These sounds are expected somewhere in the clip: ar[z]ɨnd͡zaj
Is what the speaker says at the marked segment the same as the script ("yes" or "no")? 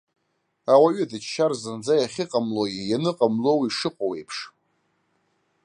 yes